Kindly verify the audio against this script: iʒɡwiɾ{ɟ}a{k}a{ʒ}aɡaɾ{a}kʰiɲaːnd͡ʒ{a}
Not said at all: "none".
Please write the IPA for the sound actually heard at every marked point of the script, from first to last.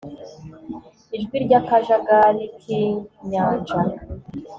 ɟ, k, ʒ, i, a

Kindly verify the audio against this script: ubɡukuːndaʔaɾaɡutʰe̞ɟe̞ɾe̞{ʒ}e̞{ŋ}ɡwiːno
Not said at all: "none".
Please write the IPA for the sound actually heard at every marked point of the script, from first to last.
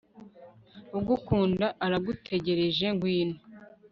ʒ, ŋ

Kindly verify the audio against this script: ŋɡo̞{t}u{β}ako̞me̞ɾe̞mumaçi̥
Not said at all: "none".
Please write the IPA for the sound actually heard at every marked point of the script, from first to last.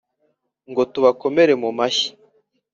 t, β

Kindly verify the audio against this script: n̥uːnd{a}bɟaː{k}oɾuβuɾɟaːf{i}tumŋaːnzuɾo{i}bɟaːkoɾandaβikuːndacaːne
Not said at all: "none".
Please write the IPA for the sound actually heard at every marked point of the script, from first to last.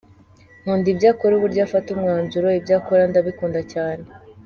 i, k, a, i

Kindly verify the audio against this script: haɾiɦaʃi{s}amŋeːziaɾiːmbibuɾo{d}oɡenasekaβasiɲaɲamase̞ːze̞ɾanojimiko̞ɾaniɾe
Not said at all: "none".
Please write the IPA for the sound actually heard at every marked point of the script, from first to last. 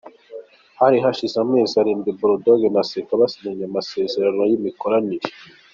z, d

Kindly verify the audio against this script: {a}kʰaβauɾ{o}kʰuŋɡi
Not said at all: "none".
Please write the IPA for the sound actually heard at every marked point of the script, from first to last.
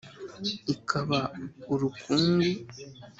i, u

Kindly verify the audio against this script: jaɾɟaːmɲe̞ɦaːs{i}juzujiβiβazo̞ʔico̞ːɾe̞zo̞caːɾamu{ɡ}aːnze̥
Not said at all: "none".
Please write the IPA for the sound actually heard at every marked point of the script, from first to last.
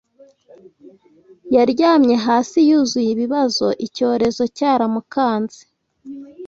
i, k

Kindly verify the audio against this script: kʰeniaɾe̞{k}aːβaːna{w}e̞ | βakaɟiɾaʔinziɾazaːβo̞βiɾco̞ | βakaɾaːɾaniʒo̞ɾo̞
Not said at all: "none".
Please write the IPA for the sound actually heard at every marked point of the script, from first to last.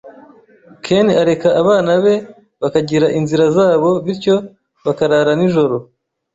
k, β

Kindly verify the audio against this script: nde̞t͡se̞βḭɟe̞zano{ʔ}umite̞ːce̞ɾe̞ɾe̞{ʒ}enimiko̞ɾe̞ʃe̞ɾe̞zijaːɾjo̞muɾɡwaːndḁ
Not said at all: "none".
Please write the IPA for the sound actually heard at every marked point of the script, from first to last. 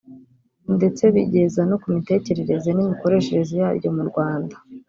k, z

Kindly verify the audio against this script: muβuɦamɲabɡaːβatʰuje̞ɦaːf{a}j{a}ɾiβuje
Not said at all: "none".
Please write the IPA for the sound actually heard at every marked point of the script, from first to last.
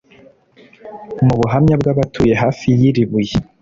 i, i

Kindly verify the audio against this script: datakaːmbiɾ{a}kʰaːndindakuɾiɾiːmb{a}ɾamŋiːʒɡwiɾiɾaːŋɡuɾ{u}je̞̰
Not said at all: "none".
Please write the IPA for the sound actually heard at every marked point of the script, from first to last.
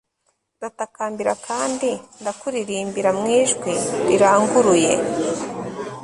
a, i, u

